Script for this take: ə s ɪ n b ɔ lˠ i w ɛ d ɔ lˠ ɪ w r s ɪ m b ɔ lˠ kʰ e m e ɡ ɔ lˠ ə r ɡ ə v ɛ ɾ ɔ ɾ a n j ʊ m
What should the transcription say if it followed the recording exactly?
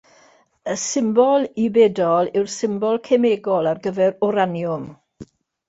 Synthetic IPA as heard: ə s ɪ m b ɔ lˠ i b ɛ d ɔ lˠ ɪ w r s ɪ m b ɔ lˠ kʰ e m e ɡ ɔ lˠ a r ɡ ə v ɛ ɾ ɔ ɾ a n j ʊ m